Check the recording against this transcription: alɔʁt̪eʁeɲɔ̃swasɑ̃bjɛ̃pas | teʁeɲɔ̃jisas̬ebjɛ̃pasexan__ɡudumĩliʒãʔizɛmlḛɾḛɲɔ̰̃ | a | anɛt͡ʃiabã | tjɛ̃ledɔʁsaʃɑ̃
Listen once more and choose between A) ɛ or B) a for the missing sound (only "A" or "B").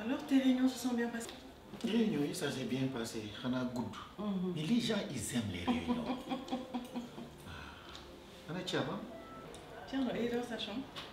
B